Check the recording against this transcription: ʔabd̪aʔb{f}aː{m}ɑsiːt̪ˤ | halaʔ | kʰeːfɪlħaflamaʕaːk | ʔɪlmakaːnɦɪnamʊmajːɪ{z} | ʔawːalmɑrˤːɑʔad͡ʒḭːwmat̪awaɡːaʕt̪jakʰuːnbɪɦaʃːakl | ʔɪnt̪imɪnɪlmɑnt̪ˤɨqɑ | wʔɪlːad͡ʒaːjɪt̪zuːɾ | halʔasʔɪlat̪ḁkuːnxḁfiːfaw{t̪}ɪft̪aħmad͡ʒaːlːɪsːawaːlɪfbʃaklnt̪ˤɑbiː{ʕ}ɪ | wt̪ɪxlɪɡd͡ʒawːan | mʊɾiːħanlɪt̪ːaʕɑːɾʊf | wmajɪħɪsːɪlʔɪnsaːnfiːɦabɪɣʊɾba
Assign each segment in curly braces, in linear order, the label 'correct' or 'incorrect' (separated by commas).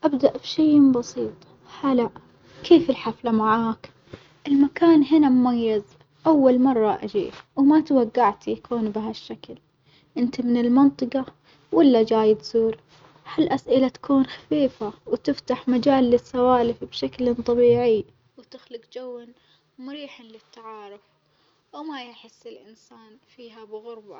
incorrect, incorrect, correct, correct, correct